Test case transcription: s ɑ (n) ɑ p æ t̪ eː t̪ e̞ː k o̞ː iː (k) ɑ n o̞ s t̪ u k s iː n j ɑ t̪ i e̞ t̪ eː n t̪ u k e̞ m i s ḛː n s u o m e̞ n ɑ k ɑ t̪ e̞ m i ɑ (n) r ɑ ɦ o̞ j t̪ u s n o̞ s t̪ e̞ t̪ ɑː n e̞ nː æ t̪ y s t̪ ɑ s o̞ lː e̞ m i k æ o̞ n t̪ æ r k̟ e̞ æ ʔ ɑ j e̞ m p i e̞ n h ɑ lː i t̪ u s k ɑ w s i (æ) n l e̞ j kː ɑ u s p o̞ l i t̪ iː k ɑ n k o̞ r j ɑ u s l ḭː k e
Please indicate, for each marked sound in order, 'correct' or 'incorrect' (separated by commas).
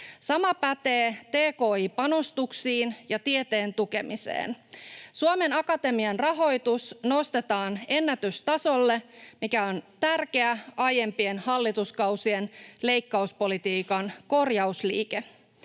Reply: incorrect, incorrect, correct, incorrect